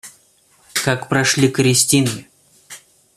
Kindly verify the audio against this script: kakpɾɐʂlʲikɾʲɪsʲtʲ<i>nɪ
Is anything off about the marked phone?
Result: no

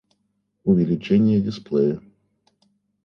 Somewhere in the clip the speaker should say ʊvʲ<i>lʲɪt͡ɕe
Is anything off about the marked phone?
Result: yes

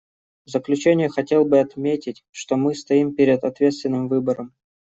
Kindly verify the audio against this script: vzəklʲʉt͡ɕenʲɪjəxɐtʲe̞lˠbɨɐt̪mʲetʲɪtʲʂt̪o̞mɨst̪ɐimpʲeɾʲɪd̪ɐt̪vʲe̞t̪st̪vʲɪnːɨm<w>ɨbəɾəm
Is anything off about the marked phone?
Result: yes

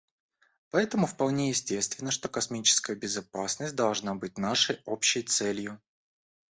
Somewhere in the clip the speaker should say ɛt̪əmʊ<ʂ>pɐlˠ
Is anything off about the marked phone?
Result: yes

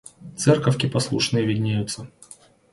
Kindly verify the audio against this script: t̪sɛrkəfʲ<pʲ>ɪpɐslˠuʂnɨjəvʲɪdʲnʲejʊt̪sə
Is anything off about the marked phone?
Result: yes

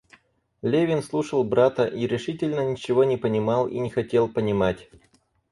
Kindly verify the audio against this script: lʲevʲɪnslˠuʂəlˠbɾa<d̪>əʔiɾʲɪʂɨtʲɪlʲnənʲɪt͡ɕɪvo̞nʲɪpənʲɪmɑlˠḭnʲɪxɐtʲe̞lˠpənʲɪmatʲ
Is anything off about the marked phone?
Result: yes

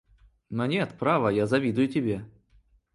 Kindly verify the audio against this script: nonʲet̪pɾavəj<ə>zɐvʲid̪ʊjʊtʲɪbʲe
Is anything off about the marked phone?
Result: yes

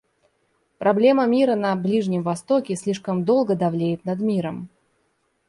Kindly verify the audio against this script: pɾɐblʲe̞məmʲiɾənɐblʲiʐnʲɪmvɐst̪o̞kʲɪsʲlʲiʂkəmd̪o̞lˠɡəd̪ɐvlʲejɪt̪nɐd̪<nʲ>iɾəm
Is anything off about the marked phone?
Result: yes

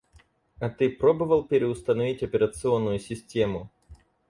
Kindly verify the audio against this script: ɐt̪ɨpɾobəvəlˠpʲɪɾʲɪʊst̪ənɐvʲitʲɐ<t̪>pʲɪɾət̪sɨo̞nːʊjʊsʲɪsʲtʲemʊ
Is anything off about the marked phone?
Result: yes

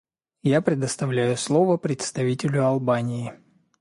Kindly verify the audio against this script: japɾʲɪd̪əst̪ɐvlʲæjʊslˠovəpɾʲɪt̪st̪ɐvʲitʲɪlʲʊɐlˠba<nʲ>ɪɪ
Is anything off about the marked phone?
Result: no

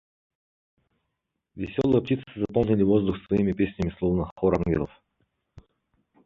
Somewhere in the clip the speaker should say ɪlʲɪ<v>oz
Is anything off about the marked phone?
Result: no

